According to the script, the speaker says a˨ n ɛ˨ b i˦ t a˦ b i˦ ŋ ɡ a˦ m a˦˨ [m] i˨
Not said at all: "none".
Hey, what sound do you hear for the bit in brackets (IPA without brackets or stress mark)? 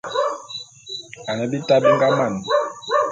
n